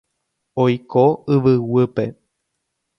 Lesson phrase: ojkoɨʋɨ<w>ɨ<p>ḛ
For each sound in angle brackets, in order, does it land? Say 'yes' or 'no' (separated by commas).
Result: yes, yes